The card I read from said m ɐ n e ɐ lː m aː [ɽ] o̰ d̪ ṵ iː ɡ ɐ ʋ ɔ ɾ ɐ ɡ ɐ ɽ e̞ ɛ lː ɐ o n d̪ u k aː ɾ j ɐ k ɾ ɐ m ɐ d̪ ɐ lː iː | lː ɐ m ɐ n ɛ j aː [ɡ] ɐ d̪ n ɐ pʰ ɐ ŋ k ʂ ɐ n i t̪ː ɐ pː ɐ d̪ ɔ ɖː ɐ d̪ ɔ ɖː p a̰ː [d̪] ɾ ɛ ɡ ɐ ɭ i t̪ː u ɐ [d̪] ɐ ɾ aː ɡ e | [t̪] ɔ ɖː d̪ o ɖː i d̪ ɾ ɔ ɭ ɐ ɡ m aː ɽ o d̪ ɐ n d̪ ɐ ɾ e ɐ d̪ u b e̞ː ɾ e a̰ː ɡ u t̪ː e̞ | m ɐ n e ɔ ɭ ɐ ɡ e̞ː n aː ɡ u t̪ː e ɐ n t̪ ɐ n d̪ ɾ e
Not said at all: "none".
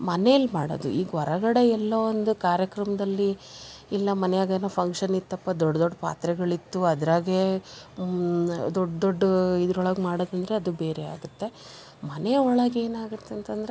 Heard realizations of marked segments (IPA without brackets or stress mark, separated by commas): ɽ, ɡ, t̪, d̪, d̪